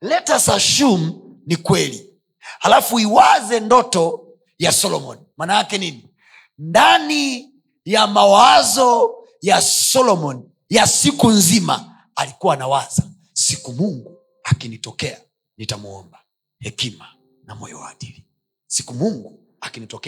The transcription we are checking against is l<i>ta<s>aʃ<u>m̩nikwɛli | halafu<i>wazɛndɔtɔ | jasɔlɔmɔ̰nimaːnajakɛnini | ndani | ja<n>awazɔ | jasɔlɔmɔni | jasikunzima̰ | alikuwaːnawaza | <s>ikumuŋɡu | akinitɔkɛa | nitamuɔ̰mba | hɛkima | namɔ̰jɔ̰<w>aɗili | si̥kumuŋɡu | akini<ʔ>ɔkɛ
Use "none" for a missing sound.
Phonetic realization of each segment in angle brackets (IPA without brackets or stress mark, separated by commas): ɛ, s, u, i, m, s, w, t